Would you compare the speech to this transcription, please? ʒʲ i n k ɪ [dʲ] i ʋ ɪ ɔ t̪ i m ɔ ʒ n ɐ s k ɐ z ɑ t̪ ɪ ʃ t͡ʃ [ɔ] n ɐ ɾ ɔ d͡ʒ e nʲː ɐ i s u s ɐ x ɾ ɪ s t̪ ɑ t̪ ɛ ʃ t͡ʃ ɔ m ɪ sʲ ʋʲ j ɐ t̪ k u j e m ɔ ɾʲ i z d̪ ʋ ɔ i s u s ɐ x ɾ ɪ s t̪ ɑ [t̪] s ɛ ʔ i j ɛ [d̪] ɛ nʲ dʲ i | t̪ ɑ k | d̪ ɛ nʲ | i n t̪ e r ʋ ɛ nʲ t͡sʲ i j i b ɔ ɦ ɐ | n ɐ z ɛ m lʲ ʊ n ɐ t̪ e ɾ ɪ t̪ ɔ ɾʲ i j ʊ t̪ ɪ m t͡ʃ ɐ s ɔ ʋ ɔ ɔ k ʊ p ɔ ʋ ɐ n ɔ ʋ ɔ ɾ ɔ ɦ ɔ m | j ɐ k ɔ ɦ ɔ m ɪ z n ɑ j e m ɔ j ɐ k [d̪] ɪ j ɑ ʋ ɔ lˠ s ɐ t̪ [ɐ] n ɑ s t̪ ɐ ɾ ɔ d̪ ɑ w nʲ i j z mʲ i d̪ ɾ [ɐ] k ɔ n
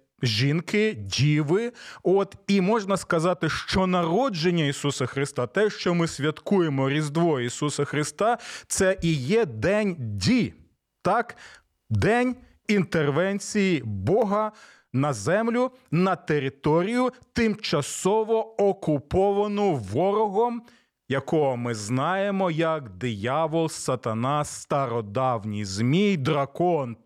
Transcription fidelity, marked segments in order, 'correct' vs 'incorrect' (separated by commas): correct, correct, correct, correct, correct, correct, correct